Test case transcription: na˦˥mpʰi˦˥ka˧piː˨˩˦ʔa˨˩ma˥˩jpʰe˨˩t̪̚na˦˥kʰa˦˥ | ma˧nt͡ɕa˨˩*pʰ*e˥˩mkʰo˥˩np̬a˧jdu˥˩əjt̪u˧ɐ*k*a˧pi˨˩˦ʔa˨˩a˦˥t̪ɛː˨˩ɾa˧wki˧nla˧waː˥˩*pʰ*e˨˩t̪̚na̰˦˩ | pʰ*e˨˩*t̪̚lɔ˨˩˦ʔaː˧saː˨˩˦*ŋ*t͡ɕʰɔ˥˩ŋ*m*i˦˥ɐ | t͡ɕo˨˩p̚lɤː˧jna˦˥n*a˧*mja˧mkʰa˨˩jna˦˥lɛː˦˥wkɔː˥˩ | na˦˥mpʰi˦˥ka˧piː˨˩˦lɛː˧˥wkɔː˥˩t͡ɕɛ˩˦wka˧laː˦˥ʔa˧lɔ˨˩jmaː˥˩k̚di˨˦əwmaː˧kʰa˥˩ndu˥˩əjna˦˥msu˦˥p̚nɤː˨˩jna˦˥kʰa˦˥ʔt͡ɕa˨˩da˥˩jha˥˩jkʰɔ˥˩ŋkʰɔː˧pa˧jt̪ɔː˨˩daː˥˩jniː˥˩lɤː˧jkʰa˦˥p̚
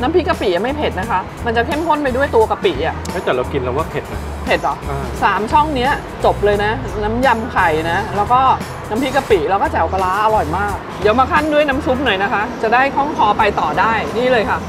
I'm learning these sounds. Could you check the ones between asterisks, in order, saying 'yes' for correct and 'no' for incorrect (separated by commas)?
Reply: no, yes, yes, yes, no, no, no